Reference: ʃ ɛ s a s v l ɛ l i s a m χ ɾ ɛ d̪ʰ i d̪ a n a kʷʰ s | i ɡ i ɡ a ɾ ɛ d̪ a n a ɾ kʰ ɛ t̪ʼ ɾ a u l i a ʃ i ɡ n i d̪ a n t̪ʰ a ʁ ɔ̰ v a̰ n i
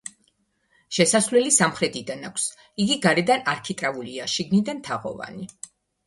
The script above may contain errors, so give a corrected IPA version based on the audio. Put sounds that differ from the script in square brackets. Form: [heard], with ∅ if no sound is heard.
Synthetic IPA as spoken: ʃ ɛ s a s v l ɛ l i s a m χ ɾ ɛ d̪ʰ i d̪ a n a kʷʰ s | i ɡ i ɡ a ɾ ɛ d̪ a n a ɾ kʰ [i] t̪ʼ ɾ a u l i a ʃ i ɡ n i d̪ a n t̪ʰ a ʁ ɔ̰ v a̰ n i